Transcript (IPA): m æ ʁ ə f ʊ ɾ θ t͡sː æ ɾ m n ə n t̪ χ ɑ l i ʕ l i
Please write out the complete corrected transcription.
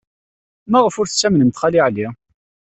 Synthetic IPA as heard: m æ ʁ ə f ʊ ɾ θ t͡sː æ m n ə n t̪ χ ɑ l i ʕ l i